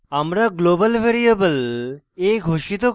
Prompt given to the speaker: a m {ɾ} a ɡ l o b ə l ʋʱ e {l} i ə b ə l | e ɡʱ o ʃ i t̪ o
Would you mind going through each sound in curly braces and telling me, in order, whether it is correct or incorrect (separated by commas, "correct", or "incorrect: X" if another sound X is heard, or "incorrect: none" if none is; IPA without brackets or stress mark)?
correct, incorrect: ɾ